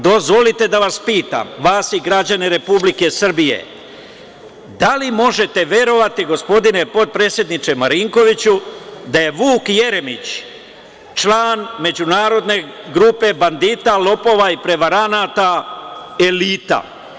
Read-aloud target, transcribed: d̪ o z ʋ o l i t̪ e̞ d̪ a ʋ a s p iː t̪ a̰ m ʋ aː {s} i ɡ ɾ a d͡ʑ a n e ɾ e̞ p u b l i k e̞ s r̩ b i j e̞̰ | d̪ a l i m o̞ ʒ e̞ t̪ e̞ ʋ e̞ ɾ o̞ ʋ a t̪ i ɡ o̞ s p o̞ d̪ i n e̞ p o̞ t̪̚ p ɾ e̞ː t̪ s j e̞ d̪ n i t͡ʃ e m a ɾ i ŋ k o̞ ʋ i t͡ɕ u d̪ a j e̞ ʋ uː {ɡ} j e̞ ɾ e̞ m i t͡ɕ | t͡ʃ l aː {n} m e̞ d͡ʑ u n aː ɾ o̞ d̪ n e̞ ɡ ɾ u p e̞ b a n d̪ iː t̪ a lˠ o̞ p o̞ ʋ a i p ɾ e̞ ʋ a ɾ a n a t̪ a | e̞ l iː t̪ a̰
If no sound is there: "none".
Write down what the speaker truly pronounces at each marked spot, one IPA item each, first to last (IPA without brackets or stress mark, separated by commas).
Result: s, k, n